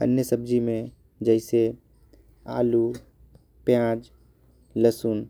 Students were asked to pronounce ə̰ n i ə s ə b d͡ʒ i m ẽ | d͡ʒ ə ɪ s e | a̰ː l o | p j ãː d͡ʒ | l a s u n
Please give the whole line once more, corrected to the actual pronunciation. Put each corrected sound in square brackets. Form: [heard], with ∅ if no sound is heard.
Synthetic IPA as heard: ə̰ n [j] ə s ə b d͡ʒ i m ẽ | d͡ʒ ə ɪ s e | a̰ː l [u] | p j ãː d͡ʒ | l [ə] s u n